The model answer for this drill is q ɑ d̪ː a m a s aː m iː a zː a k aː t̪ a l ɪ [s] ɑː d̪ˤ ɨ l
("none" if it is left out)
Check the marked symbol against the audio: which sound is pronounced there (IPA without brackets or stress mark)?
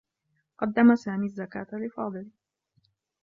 f